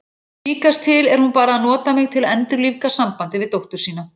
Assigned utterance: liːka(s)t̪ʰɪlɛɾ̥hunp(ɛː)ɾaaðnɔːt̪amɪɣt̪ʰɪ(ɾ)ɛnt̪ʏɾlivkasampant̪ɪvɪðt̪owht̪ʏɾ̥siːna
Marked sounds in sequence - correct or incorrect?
correct, incorrect: aː, incorrect: l

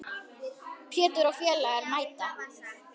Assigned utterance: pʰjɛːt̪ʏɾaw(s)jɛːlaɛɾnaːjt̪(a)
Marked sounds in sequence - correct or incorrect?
incorrect: f, correct

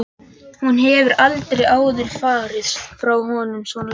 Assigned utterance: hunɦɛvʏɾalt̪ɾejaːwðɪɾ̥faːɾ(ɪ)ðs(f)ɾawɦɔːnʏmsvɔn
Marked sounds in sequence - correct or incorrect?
correct, correct

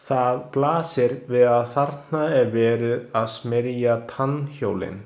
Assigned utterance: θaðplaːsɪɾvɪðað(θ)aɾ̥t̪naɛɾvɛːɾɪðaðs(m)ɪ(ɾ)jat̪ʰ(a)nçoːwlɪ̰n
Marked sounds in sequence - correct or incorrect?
correct, correct, correct, correct

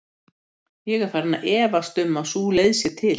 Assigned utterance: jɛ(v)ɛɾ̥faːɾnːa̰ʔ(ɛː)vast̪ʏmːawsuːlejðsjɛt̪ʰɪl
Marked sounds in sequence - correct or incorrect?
incorrect: ɣ, correct

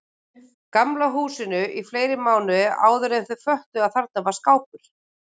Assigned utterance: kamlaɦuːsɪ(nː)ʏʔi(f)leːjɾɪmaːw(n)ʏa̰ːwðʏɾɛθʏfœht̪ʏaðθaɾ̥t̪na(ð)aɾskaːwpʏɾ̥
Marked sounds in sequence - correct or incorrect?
incorrect: n, correct, correct, incorrect: v

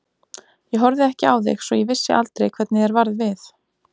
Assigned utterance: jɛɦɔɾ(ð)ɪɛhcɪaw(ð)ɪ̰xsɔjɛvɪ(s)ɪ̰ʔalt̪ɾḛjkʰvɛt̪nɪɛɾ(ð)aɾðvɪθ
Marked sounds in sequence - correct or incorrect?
correct, correct, incorrect: sː, incorrect: v

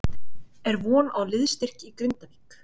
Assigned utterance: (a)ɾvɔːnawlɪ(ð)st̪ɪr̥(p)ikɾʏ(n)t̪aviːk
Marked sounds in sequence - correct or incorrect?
incorrect: ɛ, correct, incorrect: c, correct

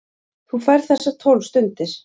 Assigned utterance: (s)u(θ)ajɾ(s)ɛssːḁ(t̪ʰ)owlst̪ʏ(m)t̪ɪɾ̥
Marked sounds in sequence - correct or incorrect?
incorrect: θ, incorrect: f, incorrect: θ, correct, incorrect: n

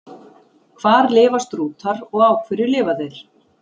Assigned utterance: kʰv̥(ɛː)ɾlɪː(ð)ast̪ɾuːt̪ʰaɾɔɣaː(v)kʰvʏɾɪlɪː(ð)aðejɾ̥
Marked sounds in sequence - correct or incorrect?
incorrect: aː, incorrect: v, incorrect: w, incorrect: v

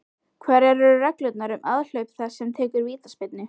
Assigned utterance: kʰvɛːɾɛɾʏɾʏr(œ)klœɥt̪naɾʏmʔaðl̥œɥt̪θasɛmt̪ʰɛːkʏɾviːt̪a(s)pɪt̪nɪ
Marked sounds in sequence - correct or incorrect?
incorrect: ɛ, correct

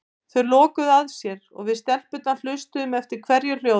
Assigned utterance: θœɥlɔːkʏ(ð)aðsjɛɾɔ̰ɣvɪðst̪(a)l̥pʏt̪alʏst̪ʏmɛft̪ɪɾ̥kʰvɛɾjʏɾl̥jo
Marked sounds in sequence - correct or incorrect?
correct, incorrect: ɛ

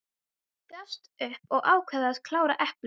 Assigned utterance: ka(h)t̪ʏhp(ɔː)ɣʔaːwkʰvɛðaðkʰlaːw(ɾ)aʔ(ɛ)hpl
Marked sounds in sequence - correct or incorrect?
incorrect: s, incorrect: ɔ, correct, correct

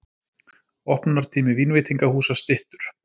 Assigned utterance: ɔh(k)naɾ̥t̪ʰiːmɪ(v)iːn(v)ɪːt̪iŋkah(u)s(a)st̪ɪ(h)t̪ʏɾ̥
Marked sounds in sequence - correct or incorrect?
incorrect: p, correct, correct, incorrect: uː, correct, correct

